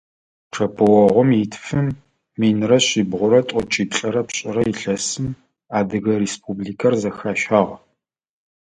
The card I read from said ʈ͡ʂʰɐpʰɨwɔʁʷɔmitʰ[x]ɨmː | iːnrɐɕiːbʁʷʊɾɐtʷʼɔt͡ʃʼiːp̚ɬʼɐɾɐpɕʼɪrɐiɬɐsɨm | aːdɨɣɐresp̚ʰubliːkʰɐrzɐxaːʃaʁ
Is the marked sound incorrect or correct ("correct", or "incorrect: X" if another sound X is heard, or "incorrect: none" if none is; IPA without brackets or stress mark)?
incorrect: f